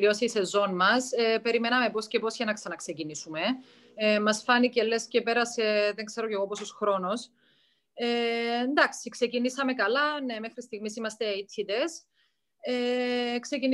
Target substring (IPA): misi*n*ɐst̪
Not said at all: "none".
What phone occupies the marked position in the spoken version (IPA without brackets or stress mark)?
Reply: m